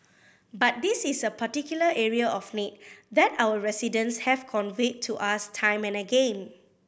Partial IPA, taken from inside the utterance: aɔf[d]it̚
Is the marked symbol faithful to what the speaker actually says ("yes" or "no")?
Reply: no